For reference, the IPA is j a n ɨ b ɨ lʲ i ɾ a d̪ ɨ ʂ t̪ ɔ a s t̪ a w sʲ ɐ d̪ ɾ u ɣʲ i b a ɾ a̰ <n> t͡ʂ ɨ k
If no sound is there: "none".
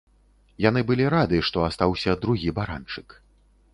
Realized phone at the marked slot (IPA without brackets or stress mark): n